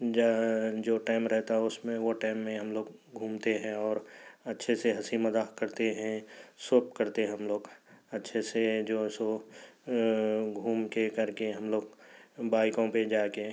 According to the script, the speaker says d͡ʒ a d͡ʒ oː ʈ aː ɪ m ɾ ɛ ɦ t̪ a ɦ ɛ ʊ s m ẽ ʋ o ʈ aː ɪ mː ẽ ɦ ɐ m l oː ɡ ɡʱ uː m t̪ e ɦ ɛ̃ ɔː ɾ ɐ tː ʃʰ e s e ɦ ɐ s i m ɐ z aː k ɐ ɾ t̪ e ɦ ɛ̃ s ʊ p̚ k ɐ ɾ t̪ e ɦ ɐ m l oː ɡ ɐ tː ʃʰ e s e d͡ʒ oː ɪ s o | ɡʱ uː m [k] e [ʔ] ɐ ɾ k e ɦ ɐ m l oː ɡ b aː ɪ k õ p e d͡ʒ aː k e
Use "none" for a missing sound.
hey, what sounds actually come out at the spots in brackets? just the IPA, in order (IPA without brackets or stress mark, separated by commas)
k, k